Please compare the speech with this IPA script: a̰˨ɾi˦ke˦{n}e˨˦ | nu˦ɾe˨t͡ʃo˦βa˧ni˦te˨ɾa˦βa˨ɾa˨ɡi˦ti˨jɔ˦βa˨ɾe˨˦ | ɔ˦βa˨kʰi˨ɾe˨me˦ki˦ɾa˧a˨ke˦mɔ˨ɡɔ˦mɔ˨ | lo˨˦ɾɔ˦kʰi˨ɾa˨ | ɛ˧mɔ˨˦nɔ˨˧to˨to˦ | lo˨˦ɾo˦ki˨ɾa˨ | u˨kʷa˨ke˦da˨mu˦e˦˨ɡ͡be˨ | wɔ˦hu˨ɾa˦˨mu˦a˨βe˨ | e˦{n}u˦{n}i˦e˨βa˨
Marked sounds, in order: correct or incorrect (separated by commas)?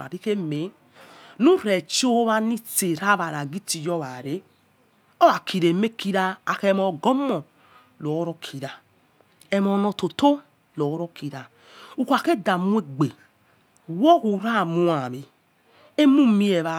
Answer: incorrect, incorrect, incorrect